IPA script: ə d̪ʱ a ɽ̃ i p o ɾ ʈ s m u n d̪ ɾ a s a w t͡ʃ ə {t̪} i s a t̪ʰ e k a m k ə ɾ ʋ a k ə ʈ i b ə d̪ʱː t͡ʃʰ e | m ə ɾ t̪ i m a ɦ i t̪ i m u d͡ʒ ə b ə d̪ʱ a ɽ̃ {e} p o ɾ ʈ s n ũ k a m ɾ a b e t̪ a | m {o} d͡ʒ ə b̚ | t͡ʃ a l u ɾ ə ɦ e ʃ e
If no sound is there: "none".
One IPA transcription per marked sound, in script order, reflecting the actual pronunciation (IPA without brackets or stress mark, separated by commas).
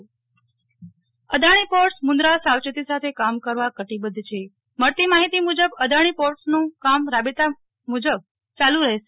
t̪, i, u